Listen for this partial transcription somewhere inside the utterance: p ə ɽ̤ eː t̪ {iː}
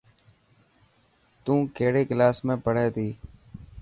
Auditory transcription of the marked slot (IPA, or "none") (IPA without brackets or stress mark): iː